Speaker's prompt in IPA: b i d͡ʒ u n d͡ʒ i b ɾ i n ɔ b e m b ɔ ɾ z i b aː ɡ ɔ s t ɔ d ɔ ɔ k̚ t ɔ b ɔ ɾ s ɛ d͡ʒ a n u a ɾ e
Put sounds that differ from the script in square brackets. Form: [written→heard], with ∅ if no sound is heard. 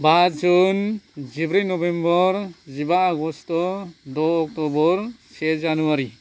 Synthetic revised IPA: b [i→a] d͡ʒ u n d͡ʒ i b ɾ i n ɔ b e m b ɔ ɾ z i b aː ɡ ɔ s t ɔ d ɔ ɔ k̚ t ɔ b ɔ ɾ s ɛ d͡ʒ a n u a ɾ [e→i]